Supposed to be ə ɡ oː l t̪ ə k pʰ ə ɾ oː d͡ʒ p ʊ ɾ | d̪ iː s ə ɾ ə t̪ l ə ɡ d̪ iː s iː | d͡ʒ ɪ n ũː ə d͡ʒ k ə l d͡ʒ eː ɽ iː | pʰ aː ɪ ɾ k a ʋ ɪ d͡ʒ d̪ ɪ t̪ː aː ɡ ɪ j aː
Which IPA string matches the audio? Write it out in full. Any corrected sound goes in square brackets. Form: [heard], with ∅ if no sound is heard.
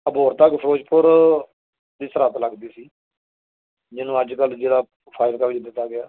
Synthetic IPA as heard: ə [b] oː [ɾ] t̪ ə k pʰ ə ɾ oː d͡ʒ p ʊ ɾ | d̪ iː s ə ɾ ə t̪ l ə ɡ d̪ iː s iː | d͡ʒ ɪ n ũː ə d͡ʒ k ə l d͡ʒ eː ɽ [aː] | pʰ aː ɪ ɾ k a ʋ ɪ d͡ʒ d̪ ɪ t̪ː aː ɡ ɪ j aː